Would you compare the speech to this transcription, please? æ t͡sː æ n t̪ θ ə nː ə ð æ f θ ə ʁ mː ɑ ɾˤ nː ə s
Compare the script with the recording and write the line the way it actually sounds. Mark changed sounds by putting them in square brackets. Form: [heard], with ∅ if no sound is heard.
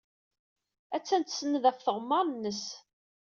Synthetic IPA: æ t͡sː æ n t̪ [s] ə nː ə ð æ f θ ə ʁ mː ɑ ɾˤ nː ə s

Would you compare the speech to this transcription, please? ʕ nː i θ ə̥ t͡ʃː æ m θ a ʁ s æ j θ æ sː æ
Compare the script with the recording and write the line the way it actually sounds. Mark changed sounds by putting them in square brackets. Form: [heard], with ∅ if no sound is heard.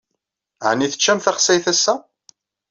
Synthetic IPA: ʕ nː i θ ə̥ t͡ʃː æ m θ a [χ] s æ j θ æ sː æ

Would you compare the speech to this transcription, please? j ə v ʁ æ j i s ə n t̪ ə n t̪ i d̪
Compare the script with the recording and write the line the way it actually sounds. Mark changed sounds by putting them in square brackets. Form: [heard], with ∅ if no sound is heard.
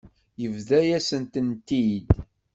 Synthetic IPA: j ə v [ð] æ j [æ] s ə n t̪ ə n t̪ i d̪

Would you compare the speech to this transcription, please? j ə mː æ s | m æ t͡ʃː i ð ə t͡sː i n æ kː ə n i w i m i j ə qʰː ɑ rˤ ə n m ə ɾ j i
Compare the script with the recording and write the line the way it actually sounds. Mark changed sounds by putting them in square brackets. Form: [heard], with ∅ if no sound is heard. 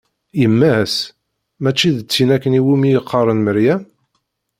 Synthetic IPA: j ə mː æ s | m æ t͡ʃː i ð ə t͡sː i n æ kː ə n i w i m i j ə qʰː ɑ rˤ ə n m ə ɾ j [æ]

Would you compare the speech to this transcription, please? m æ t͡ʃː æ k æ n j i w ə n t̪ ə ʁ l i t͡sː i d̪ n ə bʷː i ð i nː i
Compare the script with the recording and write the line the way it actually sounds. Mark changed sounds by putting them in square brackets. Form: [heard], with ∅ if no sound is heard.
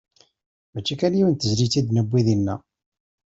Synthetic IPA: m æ t͡ʃː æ k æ n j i w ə n t̪ ə [z] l i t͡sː i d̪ n ə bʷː i ð i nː [æ]

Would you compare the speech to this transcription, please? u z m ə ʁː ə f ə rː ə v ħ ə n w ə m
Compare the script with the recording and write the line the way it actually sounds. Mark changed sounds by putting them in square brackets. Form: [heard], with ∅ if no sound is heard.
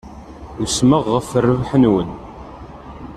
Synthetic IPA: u [s] m ə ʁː ə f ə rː ə v ħ ə n w ə [n]

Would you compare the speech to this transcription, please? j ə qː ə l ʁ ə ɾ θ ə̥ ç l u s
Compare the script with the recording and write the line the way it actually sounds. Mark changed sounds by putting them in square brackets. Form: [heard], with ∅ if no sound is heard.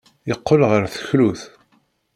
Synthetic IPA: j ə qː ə l ʁ ə ɾ θ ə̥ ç l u [θ]

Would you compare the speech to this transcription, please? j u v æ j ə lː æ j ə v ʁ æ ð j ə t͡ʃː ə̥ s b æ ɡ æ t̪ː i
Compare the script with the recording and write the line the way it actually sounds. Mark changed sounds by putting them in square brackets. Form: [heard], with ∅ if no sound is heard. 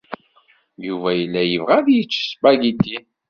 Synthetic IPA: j u v æ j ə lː æ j ə v ʁ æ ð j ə t͡ʃː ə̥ s b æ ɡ [i] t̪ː i

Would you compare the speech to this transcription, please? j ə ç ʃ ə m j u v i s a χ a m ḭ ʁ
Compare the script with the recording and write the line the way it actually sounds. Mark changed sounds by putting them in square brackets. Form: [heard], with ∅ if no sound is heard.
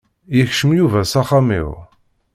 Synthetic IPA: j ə ç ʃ ə m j u v [æ] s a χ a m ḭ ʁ

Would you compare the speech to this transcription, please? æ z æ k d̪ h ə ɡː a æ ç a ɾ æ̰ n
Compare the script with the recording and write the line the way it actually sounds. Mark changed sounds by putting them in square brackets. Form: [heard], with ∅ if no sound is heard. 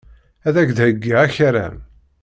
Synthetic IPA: æ [ð] æ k d̪ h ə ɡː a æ ç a ɾ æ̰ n

